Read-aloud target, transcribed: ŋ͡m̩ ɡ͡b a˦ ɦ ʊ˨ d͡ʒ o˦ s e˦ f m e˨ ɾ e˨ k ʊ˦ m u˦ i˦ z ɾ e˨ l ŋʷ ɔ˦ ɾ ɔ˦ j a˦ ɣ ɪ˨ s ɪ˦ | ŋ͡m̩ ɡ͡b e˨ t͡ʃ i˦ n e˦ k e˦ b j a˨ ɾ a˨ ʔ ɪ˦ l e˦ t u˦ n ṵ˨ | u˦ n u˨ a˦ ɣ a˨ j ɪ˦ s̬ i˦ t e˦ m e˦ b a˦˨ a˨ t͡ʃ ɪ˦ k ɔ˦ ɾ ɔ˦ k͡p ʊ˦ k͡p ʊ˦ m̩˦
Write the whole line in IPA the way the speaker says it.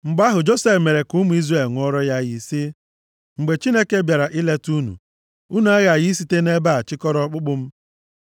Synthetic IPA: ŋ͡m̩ ɡ͡b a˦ ɦ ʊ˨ d͡ʒ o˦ s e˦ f m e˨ ɾ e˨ k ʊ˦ m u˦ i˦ z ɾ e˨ l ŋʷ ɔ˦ ɾ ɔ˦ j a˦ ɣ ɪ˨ s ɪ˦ | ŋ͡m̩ ɡ͡b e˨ t͡ʃ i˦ n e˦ k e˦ b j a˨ ɾ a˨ ʔ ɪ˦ l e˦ t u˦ n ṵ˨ | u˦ n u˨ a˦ ɣ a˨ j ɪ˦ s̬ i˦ t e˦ n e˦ b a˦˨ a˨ t͡ʃ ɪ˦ k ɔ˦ ɾ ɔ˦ k͡p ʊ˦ k͡p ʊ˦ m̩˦